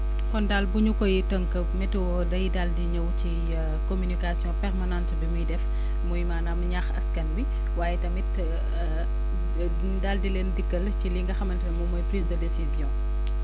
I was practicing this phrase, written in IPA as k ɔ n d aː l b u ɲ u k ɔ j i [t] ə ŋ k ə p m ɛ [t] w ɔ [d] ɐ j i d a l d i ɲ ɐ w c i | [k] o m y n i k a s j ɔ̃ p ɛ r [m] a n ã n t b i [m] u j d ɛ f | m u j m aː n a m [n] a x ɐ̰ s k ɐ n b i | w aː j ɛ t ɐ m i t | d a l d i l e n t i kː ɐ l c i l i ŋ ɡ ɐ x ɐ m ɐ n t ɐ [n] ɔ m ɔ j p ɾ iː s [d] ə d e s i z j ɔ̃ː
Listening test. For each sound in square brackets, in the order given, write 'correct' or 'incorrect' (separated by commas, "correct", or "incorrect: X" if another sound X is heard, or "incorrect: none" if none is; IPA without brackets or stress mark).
correct, correct, correct, correct, correct, correct, incorrect: ɲ, incorrect: m, correct